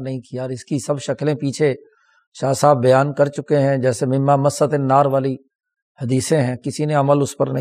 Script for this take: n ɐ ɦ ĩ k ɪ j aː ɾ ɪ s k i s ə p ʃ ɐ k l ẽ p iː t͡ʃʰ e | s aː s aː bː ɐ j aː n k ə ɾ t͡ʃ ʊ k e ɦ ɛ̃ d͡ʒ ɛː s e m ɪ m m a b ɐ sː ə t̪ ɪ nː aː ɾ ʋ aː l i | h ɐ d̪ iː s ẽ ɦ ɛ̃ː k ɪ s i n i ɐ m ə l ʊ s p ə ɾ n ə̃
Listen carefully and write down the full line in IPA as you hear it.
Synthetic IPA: n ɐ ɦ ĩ k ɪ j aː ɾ ɪ s k i s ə b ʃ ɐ k l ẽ p iː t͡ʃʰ e | ʃ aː s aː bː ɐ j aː n k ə ɾ t͡ʃ ʊ k e ɦ ɛ̃ d͡ʒ ɛː s e m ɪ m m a m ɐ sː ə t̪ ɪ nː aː ɾ ʋ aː l i | h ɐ d̪ iː s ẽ ɦ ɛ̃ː k ɪ s i n e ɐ m ə l ʊ s p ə ɾ n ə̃